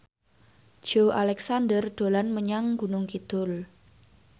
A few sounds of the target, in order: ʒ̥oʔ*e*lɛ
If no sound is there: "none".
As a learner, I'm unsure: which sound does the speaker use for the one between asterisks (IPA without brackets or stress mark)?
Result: a